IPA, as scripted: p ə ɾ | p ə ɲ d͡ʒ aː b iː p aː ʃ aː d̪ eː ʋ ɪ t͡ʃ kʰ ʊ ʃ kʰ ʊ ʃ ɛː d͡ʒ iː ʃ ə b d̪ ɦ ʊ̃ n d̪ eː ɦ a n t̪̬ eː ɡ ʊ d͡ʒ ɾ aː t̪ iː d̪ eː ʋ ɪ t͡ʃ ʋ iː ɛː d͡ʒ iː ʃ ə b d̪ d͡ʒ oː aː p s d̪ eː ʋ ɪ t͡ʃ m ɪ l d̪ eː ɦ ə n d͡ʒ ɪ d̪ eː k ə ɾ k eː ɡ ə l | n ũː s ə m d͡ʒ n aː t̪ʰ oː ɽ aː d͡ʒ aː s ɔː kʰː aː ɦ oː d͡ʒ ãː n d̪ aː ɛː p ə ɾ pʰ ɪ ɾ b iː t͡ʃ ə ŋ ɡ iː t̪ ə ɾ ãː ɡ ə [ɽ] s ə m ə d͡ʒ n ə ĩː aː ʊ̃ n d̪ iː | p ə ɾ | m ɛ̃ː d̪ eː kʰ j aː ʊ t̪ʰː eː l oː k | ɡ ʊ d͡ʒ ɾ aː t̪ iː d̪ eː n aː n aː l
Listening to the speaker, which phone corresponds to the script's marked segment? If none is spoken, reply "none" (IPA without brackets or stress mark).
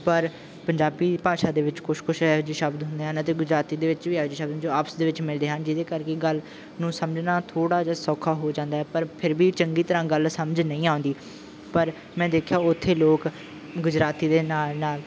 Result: l